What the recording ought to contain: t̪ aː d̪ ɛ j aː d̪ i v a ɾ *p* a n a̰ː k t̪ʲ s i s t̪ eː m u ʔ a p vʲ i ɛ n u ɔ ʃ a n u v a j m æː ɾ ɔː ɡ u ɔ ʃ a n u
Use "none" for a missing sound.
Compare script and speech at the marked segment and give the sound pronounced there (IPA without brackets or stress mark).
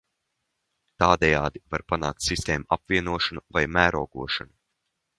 p